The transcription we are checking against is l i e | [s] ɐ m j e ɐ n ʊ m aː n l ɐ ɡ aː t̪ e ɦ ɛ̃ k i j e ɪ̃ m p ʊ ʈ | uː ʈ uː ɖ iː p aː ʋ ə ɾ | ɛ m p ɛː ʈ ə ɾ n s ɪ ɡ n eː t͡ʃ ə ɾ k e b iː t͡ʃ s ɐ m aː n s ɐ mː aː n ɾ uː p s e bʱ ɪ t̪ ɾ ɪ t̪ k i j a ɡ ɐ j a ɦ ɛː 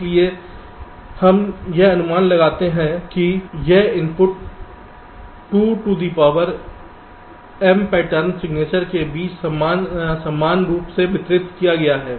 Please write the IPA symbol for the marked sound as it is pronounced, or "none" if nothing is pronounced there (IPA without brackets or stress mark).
h